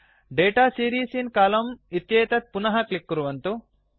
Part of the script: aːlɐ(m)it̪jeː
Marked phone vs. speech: correct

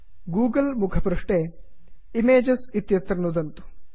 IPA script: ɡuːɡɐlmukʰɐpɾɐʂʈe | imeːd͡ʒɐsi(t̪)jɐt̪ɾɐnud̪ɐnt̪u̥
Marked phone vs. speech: correct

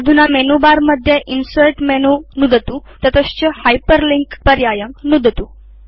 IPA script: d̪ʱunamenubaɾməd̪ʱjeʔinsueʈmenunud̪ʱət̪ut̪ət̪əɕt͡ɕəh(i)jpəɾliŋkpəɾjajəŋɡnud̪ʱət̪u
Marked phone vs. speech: incorrect: a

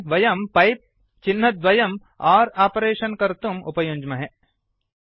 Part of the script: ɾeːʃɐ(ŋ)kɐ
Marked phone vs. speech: incorrect: n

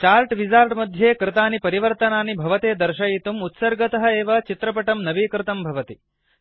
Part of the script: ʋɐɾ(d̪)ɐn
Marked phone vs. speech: incorrect: t̪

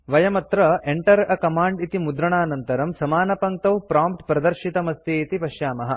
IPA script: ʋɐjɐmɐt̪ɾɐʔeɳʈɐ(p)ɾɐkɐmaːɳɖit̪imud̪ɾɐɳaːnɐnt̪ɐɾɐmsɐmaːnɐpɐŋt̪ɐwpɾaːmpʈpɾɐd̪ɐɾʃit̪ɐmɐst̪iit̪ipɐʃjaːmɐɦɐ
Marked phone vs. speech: incorrect: none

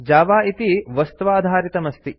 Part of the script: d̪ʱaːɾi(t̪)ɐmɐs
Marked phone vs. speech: correct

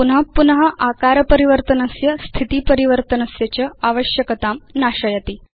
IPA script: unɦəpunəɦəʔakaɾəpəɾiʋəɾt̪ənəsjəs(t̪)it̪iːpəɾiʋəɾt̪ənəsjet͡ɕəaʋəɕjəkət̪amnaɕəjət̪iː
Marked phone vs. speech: incorrect: t̪ʰ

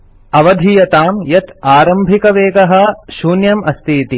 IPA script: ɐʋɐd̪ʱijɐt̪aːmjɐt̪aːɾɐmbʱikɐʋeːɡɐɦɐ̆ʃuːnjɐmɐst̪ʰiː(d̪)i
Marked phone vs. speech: incorrect: t̪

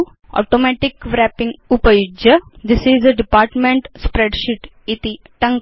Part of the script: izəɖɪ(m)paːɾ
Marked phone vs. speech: incorrect: none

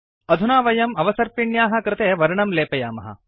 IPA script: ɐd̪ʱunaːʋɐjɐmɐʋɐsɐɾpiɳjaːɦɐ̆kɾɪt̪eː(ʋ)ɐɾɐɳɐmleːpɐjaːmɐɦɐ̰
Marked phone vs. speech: correct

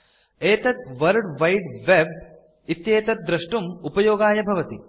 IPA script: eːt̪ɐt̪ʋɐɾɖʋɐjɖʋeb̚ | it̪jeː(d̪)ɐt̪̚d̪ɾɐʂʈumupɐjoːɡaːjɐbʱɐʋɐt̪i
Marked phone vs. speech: incorrect: t̪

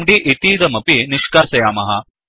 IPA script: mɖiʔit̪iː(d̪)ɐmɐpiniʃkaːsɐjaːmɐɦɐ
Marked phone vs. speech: correct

